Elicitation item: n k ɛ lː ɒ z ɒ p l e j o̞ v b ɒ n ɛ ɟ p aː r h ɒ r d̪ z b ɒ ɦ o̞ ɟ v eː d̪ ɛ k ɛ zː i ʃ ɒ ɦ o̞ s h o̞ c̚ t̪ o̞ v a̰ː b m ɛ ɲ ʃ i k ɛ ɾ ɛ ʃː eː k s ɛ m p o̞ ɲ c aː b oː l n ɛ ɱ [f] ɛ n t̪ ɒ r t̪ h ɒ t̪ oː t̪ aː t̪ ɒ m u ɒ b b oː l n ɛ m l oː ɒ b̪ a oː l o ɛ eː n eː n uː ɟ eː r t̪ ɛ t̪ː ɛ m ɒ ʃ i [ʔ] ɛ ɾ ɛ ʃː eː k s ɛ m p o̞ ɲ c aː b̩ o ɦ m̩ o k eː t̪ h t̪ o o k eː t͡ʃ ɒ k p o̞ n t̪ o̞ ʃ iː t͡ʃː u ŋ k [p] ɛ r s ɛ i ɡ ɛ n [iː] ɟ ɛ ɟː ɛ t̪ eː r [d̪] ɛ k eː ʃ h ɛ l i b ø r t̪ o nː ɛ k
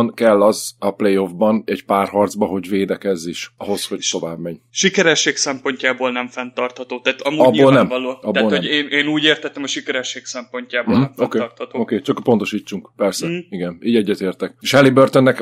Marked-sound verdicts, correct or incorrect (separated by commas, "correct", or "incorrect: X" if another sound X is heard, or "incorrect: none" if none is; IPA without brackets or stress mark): correct, incorrect: k, correct, correct, incorrect: t̪